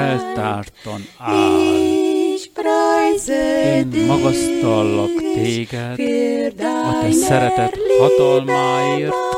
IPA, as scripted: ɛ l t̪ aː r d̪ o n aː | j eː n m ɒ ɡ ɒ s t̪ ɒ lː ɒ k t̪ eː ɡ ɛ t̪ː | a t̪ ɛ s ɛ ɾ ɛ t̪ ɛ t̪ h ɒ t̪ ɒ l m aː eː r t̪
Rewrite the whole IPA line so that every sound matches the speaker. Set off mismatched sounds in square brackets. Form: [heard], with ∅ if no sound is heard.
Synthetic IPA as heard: ɛ l t̪ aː r [t̪] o n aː | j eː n m ɒ ɡ ɒ s t̪ ɒ lː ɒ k t̪ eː ɡ ɛ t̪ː | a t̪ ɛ s ɛ ɾ ɛ t̪ ɛ t̪ h ɒ t̪ ɒ l m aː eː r t̪